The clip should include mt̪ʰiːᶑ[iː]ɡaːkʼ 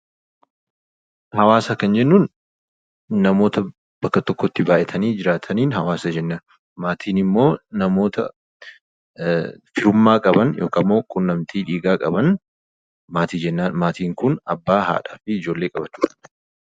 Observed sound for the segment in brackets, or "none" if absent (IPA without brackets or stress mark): iː